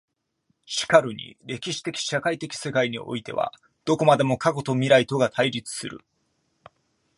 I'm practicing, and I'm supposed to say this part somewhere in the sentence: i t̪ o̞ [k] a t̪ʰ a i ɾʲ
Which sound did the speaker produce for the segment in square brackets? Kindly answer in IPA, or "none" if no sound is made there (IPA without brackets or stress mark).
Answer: ɡ